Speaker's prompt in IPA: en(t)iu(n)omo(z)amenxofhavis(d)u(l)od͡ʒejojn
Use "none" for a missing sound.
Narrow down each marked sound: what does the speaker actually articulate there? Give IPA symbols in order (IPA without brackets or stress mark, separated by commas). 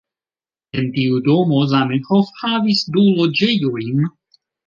t, d, z, d, l